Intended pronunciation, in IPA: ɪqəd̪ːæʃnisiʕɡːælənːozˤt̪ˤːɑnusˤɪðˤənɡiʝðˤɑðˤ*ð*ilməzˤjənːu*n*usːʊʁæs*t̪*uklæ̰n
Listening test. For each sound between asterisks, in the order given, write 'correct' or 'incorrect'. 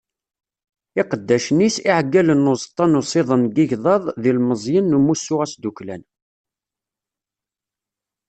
correct, incorrect, incorrect

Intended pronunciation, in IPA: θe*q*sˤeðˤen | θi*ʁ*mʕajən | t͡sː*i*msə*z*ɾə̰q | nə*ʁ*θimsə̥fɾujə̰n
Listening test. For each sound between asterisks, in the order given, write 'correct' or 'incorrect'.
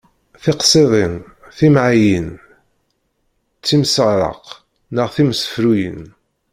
correct, incorrect, correct, incorrect, correct

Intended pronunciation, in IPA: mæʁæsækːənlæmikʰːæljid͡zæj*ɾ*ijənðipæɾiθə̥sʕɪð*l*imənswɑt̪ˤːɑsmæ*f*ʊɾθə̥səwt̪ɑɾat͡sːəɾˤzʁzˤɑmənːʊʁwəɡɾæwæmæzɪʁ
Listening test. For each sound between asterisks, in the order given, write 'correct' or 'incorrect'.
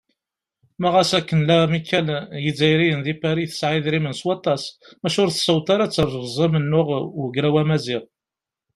correct, incorrect, incorrect

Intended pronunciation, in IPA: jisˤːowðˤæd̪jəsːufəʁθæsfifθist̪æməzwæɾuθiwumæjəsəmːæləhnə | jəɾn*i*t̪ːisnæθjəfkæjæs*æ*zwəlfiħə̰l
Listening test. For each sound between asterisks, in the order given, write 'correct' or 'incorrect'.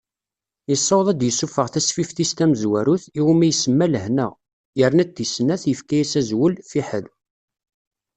incorrect, correct

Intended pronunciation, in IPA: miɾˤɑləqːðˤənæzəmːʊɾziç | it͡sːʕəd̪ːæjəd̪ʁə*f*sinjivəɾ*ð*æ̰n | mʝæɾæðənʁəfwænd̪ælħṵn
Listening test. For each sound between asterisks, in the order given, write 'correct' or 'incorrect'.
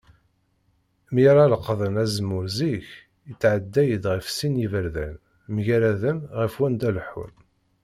correct, correct

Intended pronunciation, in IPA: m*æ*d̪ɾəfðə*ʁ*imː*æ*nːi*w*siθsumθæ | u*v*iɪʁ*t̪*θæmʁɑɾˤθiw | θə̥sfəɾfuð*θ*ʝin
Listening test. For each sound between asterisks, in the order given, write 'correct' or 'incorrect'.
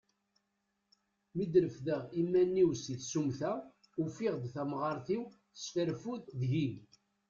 incorrect, correct, correct, correct, incorrect, incorrect, incorrect

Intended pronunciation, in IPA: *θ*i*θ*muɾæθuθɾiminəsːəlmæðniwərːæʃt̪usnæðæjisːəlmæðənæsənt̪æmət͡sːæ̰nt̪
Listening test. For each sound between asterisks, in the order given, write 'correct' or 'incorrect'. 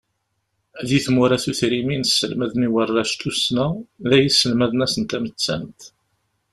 incorrect, correct

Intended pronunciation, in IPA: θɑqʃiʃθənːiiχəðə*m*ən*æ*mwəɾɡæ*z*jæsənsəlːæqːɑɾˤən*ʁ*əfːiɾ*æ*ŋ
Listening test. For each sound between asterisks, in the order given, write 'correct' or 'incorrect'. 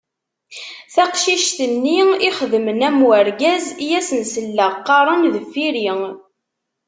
correct, correct, correct, incorrect, incorrect

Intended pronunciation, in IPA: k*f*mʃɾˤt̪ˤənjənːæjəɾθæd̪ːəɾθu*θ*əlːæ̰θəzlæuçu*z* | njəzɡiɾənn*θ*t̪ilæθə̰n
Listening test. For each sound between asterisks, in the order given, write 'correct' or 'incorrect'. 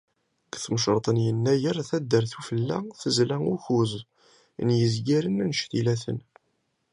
incorrect, incorrect, correct, incorrect

